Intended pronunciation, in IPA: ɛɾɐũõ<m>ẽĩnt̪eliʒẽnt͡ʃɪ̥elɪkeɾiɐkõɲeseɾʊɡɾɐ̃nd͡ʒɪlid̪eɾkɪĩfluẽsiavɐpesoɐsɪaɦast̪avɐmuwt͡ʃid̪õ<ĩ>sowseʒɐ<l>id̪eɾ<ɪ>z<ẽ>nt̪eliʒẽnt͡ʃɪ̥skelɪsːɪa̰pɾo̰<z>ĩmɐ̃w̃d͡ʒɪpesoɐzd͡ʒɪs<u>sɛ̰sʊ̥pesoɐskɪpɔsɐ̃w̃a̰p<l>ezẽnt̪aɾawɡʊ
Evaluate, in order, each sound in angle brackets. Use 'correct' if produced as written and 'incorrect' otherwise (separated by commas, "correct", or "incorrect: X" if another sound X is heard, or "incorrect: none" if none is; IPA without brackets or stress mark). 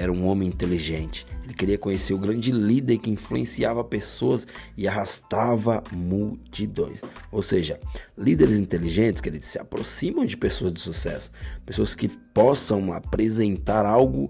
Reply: correct, incorrect: j̃, correct, correct, incorrect: ĩ, incorrect: s, correct, incorrect: ɾ